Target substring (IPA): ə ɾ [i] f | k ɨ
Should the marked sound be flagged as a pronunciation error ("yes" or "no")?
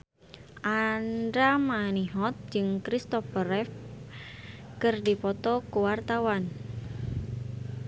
yes